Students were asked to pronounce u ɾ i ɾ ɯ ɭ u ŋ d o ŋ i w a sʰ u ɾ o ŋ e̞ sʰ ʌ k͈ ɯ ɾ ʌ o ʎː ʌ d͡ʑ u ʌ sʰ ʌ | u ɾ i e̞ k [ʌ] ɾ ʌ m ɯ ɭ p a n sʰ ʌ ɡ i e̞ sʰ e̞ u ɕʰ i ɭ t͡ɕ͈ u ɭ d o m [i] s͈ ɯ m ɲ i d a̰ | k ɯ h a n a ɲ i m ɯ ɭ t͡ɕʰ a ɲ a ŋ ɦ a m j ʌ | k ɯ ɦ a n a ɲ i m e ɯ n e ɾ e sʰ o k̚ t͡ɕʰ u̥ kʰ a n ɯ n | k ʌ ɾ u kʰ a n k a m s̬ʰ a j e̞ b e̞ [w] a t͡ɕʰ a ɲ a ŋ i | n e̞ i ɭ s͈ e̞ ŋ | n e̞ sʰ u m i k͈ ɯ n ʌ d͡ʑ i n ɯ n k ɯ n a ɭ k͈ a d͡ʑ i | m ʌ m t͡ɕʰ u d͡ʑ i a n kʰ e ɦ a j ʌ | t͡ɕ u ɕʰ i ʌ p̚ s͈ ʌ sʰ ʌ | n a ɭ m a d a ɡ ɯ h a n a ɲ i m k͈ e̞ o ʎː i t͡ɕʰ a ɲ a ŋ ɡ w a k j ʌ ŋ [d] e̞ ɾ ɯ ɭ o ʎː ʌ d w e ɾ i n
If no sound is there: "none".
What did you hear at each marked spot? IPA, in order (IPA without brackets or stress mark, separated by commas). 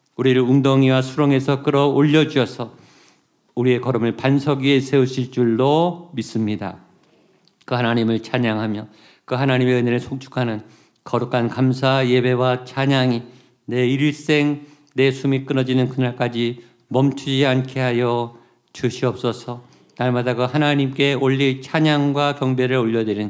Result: ʌ, i, w, b